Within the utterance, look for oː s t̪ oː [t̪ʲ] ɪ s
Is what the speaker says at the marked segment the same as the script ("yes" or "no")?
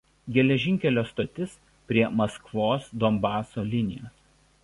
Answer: yes